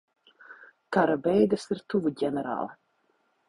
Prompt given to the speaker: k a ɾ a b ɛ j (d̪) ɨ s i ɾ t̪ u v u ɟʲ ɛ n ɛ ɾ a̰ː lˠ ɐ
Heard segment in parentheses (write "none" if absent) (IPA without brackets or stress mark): d̪